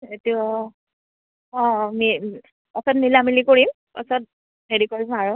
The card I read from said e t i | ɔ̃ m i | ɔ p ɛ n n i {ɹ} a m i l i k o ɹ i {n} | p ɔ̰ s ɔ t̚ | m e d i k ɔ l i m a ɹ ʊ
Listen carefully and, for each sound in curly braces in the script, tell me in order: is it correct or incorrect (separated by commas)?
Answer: incorrect, incorrect